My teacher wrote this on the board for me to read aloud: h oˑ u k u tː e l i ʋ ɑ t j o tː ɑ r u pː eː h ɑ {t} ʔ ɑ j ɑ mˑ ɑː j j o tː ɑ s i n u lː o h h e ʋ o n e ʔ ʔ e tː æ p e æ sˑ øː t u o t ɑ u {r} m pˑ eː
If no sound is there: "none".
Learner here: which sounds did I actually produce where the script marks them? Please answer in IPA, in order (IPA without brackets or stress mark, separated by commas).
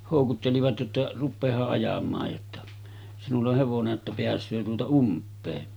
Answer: ʔ, none